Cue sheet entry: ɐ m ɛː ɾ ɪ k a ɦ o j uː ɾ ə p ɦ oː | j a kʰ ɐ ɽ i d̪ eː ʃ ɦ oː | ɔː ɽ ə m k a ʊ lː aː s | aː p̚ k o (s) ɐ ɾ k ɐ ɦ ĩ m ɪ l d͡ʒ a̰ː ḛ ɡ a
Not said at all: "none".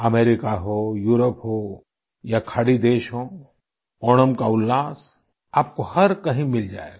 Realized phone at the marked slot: h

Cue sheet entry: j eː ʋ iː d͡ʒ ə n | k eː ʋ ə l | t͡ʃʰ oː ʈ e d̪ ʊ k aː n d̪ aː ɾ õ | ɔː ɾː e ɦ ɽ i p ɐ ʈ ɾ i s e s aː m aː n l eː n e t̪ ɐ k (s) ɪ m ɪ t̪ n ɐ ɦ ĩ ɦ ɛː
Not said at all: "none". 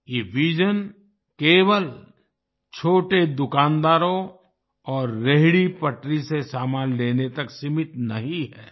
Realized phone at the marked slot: s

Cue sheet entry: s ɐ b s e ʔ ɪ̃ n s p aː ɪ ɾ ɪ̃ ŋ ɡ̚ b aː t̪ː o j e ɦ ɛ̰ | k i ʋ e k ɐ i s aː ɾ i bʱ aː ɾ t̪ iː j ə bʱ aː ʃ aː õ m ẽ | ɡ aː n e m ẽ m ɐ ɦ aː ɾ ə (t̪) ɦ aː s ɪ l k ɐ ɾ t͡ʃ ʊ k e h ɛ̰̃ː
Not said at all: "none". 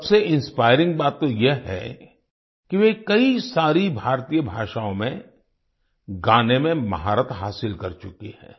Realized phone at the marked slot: t̪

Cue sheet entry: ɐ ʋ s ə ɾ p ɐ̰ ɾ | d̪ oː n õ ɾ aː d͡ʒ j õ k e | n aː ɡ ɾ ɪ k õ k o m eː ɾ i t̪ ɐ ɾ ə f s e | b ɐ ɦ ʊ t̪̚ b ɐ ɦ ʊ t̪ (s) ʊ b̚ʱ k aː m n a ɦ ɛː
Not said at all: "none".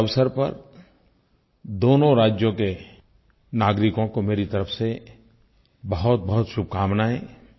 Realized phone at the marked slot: ʃ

